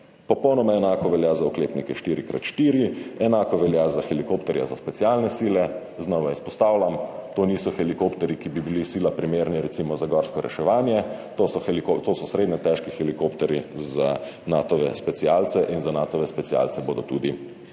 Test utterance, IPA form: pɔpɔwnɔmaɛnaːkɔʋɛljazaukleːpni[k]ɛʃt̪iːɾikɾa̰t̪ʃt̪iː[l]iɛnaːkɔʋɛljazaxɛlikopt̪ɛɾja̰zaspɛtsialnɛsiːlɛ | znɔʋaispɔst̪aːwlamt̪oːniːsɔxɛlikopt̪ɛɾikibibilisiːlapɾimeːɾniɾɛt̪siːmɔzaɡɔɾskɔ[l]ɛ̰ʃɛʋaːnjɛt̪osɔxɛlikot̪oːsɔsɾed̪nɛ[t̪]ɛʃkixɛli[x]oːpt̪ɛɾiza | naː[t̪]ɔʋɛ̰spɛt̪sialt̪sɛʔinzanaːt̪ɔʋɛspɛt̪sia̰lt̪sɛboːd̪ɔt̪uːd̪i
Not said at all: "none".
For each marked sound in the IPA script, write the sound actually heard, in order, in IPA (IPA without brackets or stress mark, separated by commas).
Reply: k, ɾ, ɾ, t̪, k, t̪